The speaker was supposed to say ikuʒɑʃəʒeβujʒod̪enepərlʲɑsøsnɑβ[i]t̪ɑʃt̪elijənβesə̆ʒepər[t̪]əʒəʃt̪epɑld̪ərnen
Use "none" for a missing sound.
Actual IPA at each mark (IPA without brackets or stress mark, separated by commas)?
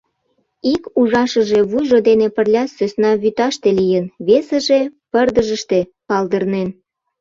y, d̪